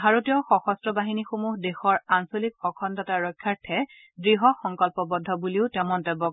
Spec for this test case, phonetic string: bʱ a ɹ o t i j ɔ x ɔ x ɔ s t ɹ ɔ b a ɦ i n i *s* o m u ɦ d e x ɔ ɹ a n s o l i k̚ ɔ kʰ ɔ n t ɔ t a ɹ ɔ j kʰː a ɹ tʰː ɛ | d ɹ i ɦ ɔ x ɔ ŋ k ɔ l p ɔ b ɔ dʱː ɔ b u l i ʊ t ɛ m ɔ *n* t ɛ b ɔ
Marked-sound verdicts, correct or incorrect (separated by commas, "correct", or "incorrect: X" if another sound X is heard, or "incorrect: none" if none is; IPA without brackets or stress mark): incorrect: x, correct